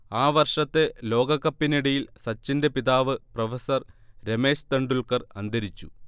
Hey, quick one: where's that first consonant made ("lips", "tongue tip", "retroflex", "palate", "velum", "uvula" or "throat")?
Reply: lips